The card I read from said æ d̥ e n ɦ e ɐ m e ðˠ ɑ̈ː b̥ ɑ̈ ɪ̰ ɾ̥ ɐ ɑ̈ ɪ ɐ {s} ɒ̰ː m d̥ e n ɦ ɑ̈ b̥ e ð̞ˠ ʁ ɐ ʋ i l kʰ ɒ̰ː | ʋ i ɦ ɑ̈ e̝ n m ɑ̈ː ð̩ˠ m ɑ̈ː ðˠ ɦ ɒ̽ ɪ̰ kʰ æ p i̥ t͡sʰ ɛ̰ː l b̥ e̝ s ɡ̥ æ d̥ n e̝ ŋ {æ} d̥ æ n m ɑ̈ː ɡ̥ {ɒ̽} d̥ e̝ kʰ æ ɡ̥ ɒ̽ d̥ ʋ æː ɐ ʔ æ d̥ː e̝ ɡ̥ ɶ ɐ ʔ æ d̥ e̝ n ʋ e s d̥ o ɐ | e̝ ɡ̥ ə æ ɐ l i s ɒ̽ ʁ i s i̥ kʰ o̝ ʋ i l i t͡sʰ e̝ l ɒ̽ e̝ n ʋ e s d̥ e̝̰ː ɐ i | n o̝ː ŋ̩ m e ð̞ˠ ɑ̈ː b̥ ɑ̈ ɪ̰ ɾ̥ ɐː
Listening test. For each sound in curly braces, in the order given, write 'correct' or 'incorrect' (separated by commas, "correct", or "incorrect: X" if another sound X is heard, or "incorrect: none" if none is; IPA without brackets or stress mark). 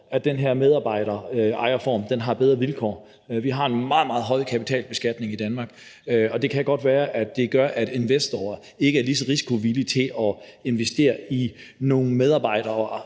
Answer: incorrect: f, incorrect: i, correct